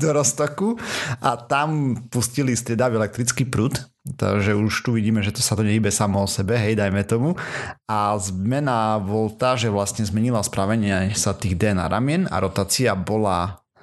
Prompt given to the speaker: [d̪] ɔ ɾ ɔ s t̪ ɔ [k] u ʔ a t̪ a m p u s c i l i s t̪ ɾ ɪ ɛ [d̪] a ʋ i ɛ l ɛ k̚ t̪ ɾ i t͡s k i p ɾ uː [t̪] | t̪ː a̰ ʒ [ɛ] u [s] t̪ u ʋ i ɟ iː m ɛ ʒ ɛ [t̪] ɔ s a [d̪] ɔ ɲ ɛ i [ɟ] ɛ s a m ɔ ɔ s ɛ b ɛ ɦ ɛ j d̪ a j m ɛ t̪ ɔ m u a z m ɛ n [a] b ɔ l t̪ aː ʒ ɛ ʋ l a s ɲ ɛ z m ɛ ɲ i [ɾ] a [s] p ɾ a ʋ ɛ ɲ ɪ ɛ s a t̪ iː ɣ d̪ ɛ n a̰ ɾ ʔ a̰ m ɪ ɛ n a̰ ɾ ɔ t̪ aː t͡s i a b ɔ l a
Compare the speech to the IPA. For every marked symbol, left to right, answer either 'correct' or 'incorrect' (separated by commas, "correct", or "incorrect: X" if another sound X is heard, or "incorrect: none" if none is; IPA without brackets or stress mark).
correct, correct, correct, correct, correct, incorrect: ʃ, correct, incorrect: t̪, incorrect: b, correct, incorrect: l, correct